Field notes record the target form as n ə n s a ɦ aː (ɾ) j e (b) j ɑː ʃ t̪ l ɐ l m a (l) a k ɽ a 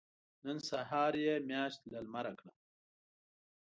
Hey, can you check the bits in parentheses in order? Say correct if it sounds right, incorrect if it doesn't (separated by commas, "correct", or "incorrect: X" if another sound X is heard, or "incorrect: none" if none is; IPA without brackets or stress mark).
correct, incorrect: m, incorrect: ɾ